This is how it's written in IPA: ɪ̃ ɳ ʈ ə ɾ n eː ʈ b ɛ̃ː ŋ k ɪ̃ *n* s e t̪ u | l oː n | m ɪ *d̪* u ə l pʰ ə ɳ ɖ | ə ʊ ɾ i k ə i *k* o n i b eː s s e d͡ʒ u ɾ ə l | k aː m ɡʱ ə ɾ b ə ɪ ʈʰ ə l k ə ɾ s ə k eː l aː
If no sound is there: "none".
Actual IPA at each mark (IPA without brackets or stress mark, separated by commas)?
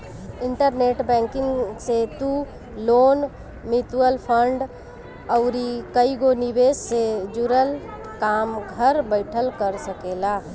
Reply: ŋ, t̪, ɡ